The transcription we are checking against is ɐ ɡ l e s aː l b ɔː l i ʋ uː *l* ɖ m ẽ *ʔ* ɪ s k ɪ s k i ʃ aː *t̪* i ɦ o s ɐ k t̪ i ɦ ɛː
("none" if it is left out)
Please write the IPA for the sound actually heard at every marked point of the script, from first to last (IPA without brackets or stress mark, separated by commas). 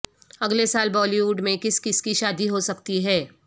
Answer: none, k, d̪